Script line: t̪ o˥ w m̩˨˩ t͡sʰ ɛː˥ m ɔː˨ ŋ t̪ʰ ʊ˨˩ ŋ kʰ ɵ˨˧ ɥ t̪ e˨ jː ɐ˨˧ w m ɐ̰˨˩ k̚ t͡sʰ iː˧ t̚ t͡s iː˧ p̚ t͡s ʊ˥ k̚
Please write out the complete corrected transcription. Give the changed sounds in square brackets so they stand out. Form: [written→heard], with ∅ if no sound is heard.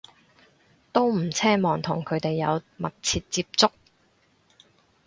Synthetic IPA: t̪ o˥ w m̩˨˩ t͡sʰ ɛː˥ m ɔː˨ ŋ t̪ʰ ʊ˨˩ ŋ kʰ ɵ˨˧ ɥ t̪ e˨ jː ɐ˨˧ w m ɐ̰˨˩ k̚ t͡sʰ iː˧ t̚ t͡s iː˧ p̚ t͡s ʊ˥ k̚